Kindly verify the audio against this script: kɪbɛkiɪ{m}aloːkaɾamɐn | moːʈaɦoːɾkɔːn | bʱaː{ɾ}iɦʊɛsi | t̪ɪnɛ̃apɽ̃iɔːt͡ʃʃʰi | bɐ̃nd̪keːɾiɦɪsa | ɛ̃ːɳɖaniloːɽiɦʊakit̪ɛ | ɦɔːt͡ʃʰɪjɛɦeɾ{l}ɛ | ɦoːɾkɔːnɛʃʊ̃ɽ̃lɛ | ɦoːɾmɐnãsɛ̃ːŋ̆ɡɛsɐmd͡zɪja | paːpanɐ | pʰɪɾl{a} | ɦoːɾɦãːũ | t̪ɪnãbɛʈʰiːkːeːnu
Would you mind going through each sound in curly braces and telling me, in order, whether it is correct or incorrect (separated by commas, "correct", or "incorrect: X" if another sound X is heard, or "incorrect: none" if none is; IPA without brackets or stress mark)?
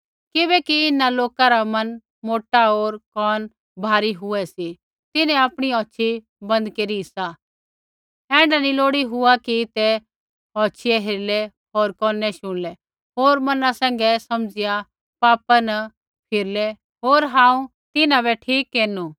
incorrect: n, correct, correct, incorrect: ɛ